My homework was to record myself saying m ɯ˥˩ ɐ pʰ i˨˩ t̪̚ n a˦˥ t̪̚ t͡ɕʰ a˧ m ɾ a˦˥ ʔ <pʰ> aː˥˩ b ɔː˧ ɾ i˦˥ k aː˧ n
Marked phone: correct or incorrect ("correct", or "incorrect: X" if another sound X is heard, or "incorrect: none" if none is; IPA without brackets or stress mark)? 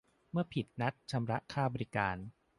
incorrect: kʰ